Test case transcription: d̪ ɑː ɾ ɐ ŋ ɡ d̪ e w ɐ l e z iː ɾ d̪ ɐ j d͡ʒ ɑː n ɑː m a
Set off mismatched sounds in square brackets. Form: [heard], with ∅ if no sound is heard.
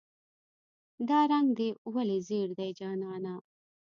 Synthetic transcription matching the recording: d̪ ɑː ɾ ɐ ŋ ɡ d̪ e w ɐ l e z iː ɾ d̪ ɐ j d͡ʒ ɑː n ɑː [n] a